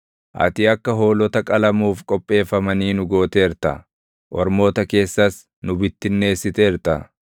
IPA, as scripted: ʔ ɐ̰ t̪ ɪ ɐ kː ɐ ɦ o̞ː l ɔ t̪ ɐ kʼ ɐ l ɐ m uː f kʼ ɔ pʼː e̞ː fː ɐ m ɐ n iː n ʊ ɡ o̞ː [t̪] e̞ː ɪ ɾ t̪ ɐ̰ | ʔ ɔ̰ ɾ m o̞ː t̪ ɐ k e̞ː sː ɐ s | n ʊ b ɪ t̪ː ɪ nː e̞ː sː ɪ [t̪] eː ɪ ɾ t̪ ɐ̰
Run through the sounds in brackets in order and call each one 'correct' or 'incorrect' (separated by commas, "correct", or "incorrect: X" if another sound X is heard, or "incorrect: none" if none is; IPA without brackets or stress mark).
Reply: correct, correct